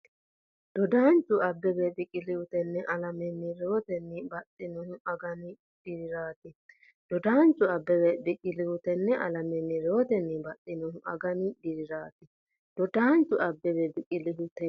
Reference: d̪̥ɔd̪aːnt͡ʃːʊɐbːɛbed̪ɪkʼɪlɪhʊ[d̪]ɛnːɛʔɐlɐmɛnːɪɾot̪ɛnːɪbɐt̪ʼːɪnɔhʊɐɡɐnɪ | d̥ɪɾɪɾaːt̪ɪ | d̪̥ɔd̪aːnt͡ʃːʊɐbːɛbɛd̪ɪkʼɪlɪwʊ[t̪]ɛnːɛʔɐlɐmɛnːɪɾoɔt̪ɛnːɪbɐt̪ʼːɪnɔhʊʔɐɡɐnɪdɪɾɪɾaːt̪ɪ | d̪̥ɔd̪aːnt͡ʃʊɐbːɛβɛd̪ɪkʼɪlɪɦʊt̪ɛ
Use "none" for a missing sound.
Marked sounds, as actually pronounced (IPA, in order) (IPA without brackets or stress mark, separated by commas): t̪, t̪